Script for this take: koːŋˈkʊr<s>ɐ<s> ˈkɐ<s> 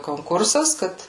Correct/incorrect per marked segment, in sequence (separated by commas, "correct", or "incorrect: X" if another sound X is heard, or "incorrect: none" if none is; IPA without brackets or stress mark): correct, correct, incorrect: t